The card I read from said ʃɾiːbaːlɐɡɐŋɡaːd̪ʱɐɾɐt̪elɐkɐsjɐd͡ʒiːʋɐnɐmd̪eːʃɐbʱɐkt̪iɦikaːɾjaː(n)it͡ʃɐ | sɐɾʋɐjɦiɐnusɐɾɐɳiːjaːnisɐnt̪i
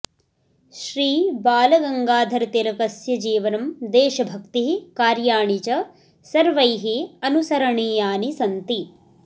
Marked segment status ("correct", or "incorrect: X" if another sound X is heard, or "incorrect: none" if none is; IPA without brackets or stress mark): incorrect: ɳ